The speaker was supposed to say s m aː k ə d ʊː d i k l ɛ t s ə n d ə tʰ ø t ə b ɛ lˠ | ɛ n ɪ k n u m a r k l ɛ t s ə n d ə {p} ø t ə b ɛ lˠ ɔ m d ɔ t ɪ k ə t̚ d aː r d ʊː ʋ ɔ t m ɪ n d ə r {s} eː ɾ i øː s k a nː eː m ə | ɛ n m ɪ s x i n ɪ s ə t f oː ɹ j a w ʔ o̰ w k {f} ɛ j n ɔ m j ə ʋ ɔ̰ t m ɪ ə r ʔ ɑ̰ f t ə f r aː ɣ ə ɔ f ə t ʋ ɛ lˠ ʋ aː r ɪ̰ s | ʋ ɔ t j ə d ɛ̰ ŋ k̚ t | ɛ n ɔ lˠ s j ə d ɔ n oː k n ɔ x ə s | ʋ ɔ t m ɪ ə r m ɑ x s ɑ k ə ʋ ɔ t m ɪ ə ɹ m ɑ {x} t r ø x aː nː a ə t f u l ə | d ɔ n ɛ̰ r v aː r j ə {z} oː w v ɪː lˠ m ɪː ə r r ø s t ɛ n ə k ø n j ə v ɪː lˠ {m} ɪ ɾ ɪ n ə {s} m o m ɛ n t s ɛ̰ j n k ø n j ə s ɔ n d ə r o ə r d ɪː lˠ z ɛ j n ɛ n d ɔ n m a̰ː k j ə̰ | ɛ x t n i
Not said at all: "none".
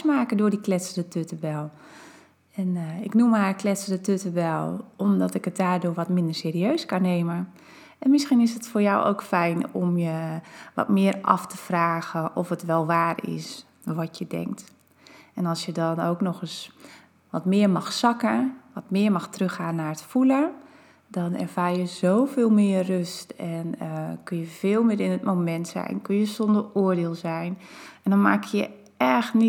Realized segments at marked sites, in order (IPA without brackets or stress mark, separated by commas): t, s, f, x, z, m, t